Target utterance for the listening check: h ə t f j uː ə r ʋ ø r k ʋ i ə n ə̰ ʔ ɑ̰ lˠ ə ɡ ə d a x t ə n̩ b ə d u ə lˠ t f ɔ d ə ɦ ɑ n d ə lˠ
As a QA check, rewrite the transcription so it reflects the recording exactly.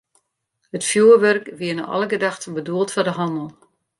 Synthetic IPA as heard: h ə t f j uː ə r ʋ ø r k ʋ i ə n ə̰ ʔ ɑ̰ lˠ ə ɡ ə d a x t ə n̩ b ə d u ə lˠ t f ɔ d ə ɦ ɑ n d ə lˠ